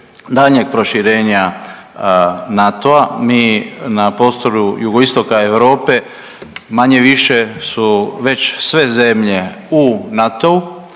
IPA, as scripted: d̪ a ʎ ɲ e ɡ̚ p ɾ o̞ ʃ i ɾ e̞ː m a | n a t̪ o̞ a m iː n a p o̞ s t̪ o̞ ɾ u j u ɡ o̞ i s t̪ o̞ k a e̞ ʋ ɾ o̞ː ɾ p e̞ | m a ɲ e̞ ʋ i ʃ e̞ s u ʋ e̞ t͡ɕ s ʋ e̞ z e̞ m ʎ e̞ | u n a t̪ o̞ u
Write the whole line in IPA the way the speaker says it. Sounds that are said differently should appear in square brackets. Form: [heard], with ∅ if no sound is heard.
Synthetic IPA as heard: d̪ a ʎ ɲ e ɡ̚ p ɾ o̞ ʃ i ɾ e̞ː [ɲ] a | n a t̪ o̞ a m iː n a p o̞ s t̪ o̞ ɾ u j u ɡ o̞ i s t̪ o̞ k a e̞ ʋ ɾ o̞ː [∅] p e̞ | m a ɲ e̞ ʋ i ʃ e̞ s u ʋ e̞ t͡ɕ s ʋ e̞ z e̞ m ʎ e̞ | u n a t̪ o̞ u